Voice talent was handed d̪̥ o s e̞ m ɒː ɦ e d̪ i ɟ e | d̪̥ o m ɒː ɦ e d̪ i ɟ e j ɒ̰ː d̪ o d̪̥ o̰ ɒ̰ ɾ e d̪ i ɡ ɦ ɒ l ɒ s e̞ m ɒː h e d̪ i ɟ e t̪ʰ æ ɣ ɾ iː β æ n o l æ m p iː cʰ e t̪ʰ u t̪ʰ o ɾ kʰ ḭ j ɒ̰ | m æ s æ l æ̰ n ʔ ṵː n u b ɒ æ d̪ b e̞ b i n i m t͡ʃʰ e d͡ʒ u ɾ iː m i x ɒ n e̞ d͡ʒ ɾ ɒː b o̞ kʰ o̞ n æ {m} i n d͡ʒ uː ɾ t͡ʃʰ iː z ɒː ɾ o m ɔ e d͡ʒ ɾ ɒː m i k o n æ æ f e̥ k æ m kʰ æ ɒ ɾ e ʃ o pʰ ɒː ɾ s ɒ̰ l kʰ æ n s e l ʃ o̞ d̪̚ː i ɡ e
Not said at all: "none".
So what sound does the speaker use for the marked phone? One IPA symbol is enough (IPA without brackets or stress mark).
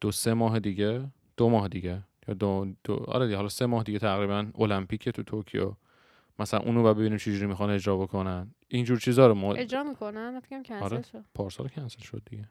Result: n